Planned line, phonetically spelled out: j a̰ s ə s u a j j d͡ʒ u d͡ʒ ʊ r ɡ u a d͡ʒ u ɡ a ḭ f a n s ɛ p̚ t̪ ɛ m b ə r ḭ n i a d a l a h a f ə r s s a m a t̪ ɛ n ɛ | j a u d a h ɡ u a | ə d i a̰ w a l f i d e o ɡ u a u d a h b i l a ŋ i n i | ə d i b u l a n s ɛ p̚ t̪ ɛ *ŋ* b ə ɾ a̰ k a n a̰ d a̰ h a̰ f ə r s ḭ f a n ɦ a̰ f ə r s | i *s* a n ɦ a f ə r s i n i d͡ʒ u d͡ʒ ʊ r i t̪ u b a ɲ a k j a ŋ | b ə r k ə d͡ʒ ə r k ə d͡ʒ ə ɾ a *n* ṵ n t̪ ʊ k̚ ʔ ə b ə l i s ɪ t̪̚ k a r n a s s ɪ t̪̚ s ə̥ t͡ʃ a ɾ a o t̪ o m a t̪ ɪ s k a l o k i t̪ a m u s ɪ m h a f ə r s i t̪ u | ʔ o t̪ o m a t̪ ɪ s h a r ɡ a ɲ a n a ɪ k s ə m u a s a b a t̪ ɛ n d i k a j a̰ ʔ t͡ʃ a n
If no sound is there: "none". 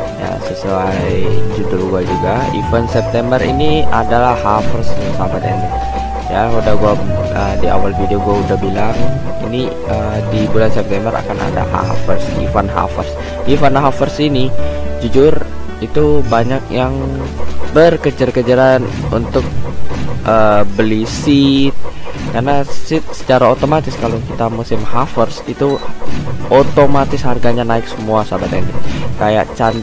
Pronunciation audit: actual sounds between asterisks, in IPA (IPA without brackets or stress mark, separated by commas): m, f, n